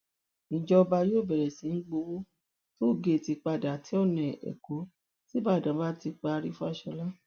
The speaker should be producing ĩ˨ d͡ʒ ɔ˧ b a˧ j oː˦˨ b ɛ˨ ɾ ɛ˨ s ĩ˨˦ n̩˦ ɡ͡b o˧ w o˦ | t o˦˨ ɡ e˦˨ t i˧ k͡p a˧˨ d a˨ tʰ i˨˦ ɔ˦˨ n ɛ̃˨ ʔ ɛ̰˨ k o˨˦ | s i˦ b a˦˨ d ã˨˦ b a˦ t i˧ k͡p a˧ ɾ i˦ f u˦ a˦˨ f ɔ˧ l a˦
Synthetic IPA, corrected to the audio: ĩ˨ d͡ʒ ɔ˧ b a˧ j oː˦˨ b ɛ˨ ɾ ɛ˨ s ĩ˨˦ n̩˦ ɡ͡b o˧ w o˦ | t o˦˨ ɡ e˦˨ t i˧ k͡p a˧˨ d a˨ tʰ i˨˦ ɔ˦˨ n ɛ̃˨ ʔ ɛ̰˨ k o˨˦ | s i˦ b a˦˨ d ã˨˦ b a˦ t i˧ k͡p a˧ ɾ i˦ f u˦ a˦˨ ʃ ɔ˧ l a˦

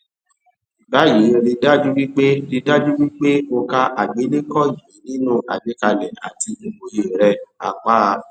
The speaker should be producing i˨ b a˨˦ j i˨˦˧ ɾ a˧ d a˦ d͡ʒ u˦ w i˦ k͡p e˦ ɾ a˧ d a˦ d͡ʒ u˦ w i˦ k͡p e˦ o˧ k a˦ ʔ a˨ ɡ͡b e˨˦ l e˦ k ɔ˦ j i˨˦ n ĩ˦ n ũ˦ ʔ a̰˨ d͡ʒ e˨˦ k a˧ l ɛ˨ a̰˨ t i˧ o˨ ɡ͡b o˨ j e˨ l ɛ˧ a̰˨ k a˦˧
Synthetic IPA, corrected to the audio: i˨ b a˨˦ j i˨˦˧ ɾ i˧ d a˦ d͡ʒ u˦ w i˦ k͡p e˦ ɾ i˧ d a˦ d͡ʒ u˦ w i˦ k͡p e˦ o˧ k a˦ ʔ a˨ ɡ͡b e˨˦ l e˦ k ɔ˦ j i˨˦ n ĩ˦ n ũ˦ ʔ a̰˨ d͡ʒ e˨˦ k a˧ l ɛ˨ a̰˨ t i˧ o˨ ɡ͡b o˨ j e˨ ɾ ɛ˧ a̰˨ k͡p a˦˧

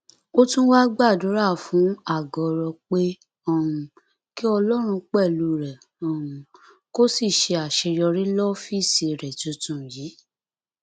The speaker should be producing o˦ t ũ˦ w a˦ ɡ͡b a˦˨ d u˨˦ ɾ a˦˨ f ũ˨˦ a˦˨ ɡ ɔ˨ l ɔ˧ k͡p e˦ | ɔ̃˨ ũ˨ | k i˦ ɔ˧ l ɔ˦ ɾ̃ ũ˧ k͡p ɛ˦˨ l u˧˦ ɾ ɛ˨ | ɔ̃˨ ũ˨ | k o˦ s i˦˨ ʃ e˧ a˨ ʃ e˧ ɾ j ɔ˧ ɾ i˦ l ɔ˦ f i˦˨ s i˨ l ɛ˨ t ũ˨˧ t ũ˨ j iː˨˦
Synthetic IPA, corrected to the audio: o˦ t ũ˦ w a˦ ɡ͡b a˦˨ d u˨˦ ɾ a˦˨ f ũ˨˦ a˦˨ ɡ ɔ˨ ɾ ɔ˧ k͡p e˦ | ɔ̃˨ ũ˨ | k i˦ ɔ˧ l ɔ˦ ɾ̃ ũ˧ k͡p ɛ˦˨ l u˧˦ ɾ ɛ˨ | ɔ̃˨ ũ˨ | k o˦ s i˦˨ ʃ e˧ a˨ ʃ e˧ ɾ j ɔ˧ ɾ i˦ l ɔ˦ f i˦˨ s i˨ ɾ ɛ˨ t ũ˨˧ t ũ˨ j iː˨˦

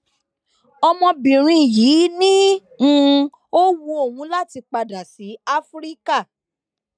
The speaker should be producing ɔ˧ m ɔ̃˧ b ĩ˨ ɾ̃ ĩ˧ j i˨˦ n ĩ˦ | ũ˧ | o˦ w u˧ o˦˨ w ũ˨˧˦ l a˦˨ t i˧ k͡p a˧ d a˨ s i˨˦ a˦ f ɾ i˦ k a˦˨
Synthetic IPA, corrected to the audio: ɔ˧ m ɔ̃˧ b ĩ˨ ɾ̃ ĩ˧ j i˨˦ n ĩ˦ | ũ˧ | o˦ w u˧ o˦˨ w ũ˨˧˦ l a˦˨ t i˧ k͡p a˧ d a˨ s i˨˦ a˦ f ɾ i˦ k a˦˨

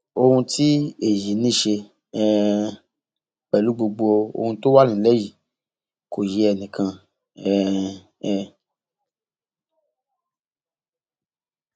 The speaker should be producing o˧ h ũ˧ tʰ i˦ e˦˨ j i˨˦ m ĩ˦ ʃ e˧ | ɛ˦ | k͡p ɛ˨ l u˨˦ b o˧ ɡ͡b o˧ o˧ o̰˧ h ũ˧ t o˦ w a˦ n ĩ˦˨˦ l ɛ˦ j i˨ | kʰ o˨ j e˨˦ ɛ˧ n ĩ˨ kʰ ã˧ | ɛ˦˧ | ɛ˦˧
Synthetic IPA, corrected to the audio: o˧ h ũ˧ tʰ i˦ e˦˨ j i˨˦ n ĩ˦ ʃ e˧ | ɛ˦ | k͡p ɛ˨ l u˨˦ ɡ͡b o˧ ɡ͡b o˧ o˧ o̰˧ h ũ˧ t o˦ w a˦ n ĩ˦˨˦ l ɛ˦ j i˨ | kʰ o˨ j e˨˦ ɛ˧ n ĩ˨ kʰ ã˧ | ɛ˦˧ | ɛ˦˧

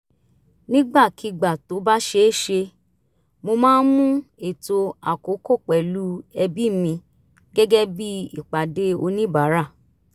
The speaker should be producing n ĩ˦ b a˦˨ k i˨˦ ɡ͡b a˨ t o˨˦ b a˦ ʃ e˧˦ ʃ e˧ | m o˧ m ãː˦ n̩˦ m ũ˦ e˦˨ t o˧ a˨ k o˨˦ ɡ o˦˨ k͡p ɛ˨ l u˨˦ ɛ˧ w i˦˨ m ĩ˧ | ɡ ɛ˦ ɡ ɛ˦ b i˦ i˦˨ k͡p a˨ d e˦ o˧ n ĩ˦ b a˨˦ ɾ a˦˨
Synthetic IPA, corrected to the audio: n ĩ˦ ɡ͡b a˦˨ k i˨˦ ɡ͡b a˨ t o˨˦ b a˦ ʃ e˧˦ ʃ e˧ | m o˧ m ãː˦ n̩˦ m ũ˦ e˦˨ t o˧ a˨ k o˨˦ k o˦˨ k͡p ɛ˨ l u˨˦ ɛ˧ b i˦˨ m ĩ˧ | ɡ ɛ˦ ɡ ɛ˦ b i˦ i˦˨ k͡p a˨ d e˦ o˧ n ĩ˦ b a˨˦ ɾ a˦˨

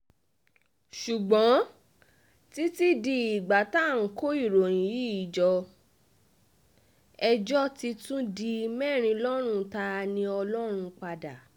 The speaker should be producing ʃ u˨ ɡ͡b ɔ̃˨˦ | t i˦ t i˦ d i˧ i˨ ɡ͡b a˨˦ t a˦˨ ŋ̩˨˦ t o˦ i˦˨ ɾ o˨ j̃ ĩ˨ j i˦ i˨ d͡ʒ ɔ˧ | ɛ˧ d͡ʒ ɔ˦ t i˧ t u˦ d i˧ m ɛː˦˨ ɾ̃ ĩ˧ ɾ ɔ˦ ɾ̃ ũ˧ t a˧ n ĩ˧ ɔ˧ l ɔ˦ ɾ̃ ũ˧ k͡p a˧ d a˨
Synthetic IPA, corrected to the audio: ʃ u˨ ɡ͡b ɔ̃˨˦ | t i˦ t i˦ d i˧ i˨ ɡ͡b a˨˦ t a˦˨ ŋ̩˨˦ k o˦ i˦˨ ɾ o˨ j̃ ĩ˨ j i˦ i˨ d͡ʒ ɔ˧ | ɛ˧ d͡ʒ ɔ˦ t i˧ t ũ˦ d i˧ m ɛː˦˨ ɾ̃ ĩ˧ l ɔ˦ ɾ̃ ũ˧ t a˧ n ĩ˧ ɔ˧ l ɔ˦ ɾ̃ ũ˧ k͡p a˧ d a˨

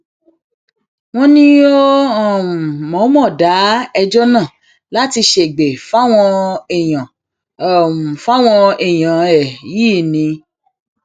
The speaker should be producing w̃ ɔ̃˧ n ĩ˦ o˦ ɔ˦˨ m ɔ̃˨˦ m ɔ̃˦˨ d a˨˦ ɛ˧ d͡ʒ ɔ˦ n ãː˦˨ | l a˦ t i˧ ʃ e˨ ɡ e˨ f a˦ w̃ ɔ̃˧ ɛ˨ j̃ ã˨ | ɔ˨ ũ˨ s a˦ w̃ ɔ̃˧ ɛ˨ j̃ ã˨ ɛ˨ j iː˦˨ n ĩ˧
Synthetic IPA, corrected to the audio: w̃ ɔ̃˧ n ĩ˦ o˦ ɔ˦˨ m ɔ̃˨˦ m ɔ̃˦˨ d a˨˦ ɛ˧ d͡ʒ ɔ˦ n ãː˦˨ | l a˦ t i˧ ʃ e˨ ɡ͡b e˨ f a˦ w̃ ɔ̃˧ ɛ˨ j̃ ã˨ | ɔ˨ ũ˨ f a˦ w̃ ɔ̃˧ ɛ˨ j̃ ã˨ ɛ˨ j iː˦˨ n ĩ˧

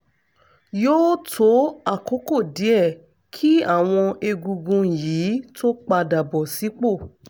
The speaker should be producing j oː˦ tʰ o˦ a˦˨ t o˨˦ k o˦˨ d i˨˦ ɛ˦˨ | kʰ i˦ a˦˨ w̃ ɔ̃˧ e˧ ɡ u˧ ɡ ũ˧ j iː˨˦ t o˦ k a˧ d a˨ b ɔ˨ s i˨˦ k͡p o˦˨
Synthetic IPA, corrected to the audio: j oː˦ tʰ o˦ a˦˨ k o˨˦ k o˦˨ d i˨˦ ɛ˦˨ | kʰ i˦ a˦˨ w̃ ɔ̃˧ e˧ ɡ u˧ ɡ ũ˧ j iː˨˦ t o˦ k͡p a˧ d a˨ b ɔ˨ s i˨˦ k͡p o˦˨

